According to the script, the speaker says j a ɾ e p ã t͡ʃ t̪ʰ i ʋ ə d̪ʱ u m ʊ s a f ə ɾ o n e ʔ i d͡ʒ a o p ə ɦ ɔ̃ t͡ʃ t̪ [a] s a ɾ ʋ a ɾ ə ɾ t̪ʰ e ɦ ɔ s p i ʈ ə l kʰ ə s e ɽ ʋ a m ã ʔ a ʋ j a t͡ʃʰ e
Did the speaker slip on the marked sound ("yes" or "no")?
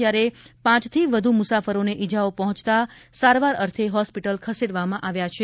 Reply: no